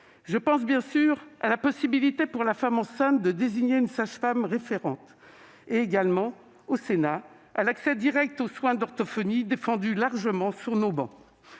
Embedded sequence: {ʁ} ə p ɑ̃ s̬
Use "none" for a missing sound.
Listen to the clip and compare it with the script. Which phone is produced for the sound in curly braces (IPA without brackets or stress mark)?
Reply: ʒ